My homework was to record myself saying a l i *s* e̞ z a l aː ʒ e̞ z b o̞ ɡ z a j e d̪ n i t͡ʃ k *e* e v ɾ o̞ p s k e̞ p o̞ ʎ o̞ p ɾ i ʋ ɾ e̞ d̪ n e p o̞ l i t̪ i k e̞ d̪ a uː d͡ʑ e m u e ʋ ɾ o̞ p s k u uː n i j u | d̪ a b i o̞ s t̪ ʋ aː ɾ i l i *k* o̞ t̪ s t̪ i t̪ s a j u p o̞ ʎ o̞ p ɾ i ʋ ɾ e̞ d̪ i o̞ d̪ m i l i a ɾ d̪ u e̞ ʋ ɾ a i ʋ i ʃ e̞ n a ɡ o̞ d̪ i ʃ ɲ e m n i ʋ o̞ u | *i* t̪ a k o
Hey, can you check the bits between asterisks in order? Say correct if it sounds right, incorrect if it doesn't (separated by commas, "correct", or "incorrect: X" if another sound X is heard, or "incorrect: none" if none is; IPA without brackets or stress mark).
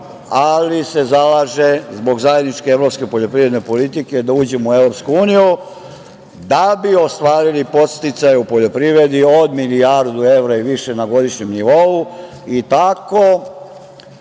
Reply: correct, correct, incorrect: p, correct